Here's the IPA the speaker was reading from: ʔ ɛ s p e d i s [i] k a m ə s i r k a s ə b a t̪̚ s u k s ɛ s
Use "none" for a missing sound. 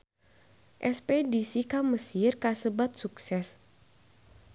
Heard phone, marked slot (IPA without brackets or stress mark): i